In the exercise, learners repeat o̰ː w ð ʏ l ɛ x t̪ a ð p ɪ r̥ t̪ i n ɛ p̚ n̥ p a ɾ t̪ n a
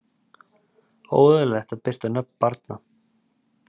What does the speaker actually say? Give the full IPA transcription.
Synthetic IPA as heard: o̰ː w ð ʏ l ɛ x t̪ a ð p ɪ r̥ t̪ a n œ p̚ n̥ p a ɾ t̪ n a